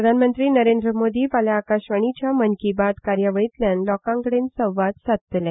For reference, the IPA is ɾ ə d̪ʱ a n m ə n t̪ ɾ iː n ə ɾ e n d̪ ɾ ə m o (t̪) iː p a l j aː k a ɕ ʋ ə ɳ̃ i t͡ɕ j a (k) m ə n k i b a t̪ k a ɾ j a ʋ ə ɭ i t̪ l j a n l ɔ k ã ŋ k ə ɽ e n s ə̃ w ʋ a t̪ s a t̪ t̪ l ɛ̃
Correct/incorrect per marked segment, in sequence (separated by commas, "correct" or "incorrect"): incorrect, incorrect